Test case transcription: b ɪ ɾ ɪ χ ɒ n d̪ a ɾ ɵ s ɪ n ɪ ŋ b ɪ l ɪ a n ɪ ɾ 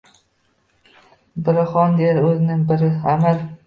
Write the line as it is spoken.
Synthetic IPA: b ɪ ɾ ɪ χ ɒ n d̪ e ɾ ɵ z ɪ n ɪ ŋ b ɪ ɾ ɪ a m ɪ ɾ

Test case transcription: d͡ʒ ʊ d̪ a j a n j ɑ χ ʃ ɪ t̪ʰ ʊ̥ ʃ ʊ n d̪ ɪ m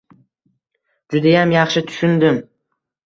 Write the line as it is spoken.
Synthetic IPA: d͡ʒ ʊ d̪ a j a m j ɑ χ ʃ ɪ t̪ʰ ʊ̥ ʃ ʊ n d̪ ɪ m

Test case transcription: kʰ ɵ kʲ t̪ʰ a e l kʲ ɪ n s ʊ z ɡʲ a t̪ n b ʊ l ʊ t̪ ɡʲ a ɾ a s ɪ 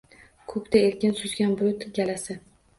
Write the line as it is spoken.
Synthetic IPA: kʰ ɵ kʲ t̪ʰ a e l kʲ ɪ n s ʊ z ɡʲ a n b ʊ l ʊ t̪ ɡʲ a l a s ɪ

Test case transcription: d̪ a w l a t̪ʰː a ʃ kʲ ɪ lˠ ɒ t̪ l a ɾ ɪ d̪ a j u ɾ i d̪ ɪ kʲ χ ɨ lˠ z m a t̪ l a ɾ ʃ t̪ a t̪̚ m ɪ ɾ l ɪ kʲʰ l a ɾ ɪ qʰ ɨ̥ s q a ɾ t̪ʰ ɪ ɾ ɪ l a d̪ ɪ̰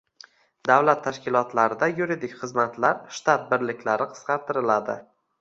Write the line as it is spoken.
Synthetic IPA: d̪ a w l a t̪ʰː a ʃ kʲ ɪ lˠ ɒ t̪ l a ɾ ɪ d̪ a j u ɾ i d̪ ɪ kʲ χ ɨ z m a t̪ l a ɾ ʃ t̪ a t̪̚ b ɪ ɾ l ɪ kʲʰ l a ɾ ɪ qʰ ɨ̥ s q ɑ ɾ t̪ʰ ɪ ɾ ɪ l a d̪ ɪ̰

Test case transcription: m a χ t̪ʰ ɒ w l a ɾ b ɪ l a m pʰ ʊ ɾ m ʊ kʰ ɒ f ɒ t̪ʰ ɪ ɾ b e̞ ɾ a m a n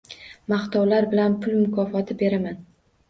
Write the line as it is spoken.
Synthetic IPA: m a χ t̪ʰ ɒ w l a ɾ b ɪ l a n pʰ ʊ l m ʊ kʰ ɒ f ɒ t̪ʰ ɪ b e̞ ɾ a m a n

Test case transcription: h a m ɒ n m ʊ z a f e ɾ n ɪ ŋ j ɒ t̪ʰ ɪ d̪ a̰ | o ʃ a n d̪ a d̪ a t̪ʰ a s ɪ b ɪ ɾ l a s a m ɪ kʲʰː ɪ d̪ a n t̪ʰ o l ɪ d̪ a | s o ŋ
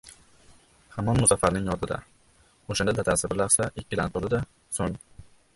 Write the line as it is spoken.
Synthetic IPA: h a m ɒ n m ʊ z a f a ɾ n ɪ ŋ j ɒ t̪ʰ ɪ d̪ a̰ | o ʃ a n d̪ a d̪ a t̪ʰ a s ɪ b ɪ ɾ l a s a ɪ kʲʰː ɪ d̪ a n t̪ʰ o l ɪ d̪ a | s o ŋ

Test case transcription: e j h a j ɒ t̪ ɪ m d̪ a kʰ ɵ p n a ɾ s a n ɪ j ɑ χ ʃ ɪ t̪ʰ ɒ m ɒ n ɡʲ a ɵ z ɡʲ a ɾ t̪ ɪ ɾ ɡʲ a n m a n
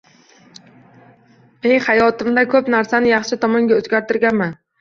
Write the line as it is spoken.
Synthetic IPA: e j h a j ɒ t̪ ɪ m d̪ a kʰ ɵ p n a ɾ s a n ɪ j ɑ χ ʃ ɪ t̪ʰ ɒ m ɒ ŋ ɡʲ a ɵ z ɡʲ a ɾ t̪ ɪ ɾ ɡʲ a n m a n

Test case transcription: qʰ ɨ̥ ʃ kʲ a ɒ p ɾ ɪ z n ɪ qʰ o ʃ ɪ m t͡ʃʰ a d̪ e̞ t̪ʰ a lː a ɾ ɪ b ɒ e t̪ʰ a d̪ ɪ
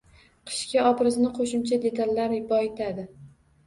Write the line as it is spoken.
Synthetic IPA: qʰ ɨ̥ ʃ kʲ a ɒ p ɾ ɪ z n ɪ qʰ o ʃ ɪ m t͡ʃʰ a d̪ e̞ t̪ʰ a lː a ɾ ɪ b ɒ e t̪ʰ a d̪ ɪ

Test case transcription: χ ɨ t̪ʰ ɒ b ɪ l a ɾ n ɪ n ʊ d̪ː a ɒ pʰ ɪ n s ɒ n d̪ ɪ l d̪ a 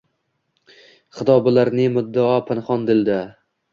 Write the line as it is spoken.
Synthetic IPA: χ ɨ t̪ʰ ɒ b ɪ l a ɾ n ɪ m ʊ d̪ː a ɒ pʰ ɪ n χ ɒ n d̪ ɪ l d̪ a

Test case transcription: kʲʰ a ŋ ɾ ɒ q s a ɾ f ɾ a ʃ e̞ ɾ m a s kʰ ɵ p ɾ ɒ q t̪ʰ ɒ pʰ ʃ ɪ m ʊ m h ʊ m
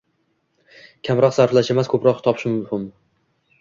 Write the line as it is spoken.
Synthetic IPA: kʲʰ a m ɾ ɒ q s a ɾ f l a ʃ e̞ m a s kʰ ɵ p ɾ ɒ q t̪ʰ ɒ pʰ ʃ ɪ m ʊ m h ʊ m

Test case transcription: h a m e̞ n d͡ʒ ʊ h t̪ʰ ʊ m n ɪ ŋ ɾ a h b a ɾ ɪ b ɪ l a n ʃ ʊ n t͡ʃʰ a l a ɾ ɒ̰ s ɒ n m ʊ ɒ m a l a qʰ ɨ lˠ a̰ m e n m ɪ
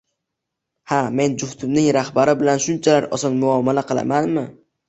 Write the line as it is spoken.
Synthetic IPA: h a m e̞ n d͡ʒ ʊ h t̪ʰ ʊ m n ɪ ŋ ɾ a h b a ɾ ɪ b ɪ l a n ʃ ʊ n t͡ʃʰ a l a ɾ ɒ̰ s ɒ n m ʊ ɒ m a l a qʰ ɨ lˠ a̰ m a n m ɪ

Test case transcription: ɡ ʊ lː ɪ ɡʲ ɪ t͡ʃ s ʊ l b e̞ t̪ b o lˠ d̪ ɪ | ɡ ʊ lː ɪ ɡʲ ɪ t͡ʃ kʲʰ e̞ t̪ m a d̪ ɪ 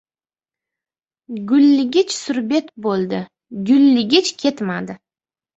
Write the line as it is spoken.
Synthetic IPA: ɡ ʊ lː ɪ ɡʲ ɪ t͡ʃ s ʊ ɾ b e̞ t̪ b o lˠ d̪ ɪ | ɡ ʊ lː ɪ ɡʲ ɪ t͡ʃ kʲʰ e̞ t̪ m a d̪ ɪ

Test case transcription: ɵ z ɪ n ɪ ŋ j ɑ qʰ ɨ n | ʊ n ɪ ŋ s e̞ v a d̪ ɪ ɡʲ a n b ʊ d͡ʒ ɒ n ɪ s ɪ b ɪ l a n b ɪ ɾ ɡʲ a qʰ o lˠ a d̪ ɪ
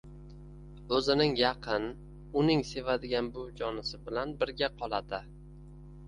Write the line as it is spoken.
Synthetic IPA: ɵ z ɪ n ɪ ŋ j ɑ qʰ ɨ n | ʊ n ɪ ŋ s e̞ v a d̪ ɪ ɡʲ a n b ʊ d͡ʒ ɒ n ɪ s ɪ b ɪ l a n b ɪ ɾ ɡʲ a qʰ ɒ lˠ a d̪ ɪ

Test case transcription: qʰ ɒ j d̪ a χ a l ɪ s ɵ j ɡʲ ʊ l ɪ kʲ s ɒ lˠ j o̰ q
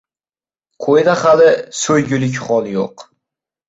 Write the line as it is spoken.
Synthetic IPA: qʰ o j d̪ a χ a l ɪ s ɵ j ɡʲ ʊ l ɪ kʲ χ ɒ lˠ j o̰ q

